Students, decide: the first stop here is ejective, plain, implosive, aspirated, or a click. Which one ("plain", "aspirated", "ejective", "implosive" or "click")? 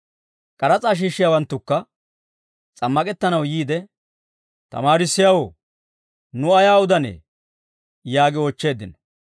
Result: ejective